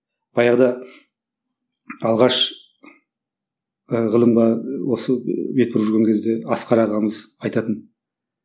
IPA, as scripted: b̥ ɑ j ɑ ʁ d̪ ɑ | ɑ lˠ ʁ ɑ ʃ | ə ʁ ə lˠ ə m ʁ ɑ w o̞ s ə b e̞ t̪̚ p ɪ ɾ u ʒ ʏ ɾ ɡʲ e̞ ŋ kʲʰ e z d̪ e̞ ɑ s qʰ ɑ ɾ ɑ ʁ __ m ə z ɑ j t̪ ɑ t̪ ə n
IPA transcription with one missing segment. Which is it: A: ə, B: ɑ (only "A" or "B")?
B